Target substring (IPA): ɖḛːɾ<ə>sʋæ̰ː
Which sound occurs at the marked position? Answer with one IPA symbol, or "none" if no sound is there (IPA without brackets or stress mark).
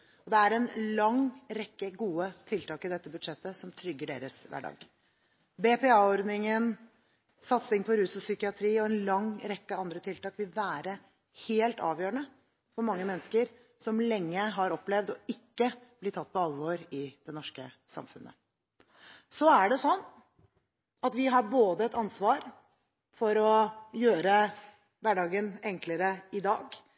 ə